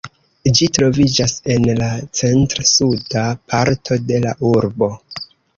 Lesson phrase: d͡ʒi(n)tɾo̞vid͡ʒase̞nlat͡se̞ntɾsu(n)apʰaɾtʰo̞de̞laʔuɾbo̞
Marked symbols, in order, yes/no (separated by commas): no, no